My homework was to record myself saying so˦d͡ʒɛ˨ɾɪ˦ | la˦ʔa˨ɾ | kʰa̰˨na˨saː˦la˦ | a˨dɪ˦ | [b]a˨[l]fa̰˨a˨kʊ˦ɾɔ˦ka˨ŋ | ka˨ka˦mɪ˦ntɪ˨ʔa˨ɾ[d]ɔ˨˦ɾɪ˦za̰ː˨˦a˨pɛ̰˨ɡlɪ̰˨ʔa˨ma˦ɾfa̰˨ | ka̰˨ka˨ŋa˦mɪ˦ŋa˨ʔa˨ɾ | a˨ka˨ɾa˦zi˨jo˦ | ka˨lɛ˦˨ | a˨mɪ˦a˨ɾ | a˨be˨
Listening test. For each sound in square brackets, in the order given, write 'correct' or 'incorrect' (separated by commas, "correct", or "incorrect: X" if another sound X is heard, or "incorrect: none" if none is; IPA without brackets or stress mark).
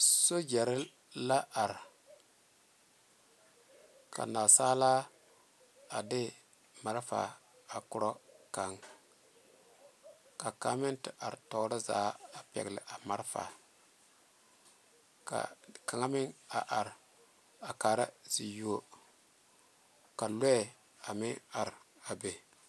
incorrect: m, incorrect: ɾ, incorrect: t